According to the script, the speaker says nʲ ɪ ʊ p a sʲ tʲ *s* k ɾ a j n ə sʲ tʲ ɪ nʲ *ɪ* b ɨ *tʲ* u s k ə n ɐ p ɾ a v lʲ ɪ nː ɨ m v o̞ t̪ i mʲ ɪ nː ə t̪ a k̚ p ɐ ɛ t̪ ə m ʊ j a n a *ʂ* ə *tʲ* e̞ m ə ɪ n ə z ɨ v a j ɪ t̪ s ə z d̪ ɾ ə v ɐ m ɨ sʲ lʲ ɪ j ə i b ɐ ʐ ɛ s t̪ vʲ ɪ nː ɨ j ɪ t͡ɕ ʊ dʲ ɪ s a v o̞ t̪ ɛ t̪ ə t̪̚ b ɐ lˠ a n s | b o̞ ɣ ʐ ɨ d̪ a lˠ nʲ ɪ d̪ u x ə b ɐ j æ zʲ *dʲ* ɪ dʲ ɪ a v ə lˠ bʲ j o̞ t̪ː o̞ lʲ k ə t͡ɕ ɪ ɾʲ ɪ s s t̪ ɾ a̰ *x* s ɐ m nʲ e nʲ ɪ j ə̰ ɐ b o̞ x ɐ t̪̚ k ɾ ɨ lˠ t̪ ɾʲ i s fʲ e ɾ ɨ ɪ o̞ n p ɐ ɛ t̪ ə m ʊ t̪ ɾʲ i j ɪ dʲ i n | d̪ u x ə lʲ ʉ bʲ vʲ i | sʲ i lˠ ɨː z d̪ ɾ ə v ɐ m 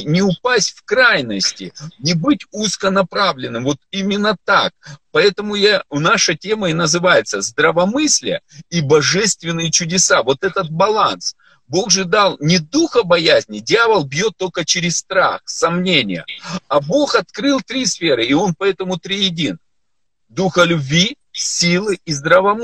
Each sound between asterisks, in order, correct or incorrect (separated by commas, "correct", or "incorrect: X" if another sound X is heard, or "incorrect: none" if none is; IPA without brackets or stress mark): incorrect: f, correct, correct, correct, correct, incorrect: nʲ, correct